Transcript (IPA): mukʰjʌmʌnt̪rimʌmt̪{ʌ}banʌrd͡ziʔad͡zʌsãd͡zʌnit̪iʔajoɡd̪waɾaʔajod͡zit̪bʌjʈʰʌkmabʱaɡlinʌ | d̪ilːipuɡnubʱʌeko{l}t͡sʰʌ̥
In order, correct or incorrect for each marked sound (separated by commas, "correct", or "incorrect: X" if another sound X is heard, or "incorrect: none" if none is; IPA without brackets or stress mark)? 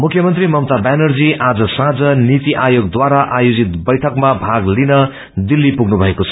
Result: incorrect: a, incorrect: none